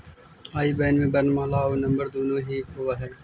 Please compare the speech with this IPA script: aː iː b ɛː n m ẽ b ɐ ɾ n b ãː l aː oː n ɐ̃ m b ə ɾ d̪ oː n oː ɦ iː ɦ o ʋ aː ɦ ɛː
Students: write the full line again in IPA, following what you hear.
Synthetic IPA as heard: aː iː b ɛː n m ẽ b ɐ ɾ n m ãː l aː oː n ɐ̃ m b ə ɾ d̪ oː n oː ɦ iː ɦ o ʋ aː ɦ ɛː